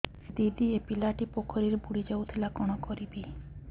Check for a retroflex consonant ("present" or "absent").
present